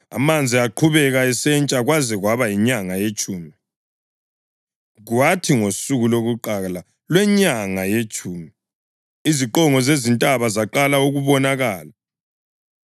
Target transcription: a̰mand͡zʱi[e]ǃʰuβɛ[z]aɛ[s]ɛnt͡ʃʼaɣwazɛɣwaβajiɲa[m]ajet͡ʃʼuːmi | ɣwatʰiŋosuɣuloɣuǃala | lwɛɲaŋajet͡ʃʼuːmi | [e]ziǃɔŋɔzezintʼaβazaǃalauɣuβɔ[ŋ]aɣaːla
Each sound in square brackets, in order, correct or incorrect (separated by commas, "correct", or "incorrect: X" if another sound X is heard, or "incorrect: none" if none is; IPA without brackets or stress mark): incorrect: a, incorrect: ɣ, correct, incorrect: ŋ, incorrect: i, incorrect: n